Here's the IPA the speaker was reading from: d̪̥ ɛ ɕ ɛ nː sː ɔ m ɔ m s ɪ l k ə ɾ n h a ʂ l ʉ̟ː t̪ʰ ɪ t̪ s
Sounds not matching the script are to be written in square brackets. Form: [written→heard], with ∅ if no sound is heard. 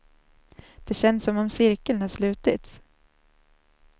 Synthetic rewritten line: d̪̥ ɛ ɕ ɛ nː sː ɔ m ɔ m s ɪ [l→ɾ] k ə [ɾ→l] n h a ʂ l ʉ̟ː [t̪ʰ→t̪] ɪ t̪ s